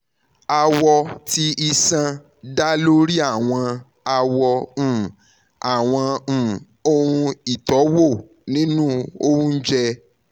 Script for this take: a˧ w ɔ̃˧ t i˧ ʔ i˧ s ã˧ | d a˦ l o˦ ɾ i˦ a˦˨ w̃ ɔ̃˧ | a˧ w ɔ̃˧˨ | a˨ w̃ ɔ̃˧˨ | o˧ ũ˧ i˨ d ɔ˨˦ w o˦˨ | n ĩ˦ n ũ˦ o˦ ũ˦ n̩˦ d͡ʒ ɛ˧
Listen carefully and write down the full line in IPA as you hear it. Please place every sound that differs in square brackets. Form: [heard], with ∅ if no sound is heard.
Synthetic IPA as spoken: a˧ w [ɔ˧] t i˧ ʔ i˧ s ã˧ | d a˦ l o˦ ɾ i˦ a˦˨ w̃ ɔ̃˧ | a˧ w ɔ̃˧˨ | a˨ w̃ ɔ̃˧˨ | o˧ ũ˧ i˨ [t] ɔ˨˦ w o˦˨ | n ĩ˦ n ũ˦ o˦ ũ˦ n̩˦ d͡ʒ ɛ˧